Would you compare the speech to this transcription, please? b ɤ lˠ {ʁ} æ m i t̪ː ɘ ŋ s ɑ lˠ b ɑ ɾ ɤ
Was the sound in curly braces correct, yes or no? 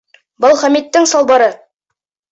no